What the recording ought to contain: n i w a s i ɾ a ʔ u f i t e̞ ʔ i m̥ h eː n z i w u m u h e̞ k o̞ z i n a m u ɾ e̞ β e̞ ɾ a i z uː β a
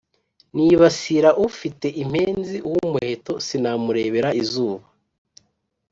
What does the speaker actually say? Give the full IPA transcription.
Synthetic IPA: n i β a s i ɾ a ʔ u f i t e̞ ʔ i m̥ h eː n z i w u m u h e̞ t o̞ s i n a m u ɾ e̞ β e̞ ɾ a i z uː β a